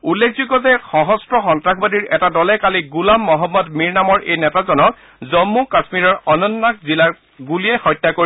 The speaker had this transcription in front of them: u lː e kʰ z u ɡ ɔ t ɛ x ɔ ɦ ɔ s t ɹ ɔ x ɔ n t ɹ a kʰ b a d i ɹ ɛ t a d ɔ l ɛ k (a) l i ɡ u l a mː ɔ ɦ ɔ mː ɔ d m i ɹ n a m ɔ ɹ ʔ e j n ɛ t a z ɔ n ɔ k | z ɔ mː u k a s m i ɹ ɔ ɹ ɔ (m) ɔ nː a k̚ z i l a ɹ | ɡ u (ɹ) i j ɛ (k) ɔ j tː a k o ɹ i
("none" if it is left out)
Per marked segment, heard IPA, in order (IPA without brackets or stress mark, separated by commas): a, n, l, x